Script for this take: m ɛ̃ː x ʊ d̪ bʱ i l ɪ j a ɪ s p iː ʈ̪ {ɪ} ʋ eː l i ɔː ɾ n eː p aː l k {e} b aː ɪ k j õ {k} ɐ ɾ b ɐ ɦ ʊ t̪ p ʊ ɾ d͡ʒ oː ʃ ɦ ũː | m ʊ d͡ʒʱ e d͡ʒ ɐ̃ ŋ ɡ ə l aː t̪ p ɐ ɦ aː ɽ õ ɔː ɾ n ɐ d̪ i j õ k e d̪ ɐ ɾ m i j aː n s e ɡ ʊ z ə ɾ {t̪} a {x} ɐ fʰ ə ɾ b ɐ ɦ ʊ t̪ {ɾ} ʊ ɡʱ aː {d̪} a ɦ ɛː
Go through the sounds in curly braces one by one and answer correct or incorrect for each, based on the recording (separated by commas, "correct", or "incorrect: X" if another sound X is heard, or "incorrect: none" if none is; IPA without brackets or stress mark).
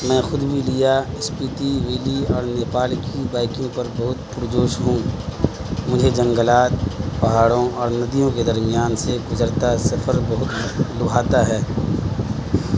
incorrect: i, incorrect: i, incorrect: p, correct, incorrect: s, incorrect: l, incorrect: t̪